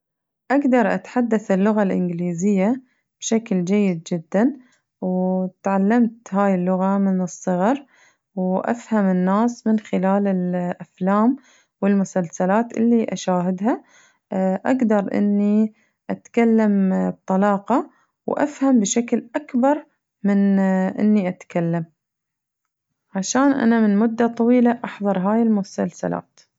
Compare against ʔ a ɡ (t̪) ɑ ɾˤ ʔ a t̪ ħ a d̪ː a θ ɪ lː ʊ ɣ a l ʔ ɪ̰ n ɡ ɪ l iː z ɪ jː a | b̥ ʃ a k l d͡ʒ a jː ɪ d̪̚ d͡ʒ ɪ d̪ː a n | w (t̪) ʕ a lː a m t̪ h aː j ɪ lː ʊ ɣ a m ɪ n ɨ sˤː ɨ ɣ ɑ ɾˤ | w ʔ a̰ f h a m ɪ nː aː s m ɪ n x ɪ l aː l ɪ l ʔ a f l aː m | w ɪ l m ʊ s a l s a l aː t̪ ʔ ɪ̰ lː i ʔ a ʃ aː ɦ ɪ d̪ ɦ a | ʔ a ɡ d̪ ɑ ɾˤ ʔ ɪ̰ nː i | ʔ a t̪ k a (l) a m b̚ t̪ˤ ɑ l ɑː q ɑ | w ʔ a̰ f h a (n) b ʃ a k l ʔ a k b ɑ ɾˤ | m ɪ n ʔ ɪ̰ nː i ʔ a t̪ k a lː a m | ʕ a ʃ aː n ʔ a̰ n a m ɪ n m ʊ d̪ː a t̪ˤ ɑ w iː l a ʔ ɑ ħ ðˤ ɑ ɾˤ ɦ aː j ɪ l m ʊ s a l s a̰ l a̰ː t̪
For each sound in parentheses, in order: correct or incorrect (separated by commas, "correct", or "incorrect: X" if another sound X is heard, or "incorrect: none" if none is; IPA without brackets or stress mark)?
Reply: incorrect: d̪, correct, incorrect: lː, incorrect: m